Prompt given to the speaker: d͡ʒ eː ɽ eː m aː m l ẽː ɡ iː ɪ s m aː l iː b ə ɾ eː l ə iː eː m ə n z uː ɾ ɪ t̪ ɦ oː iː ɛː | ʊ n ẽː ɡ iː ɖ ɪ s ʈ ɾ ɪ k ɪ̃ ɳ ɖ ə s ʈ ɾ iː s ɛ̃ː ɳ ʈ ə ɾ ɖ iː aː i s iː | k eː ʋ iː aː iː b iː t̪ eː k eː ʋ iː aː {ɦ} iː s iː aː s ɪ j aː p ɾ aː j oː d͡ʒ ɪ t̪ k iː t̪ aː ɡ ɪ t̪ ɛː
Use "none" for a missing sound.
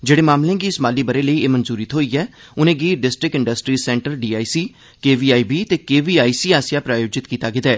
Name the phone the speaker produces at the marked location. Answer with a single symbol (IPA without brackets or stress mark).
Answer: none